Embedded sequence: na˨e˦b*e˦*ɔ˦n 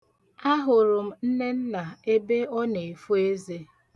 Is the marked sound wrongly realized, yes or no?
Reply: no